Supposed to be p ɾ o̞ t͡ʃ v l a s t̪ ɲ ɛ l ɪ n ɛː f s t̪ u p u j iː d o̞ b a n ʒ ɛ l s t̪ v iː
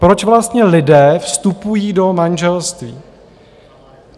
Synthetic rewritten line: p ɾ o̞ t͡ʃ v l a s t̪ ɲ ɛ l ɪ d ɛː f s t̪ u p u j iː d o̞ m a n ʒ ɛ l s t̪ v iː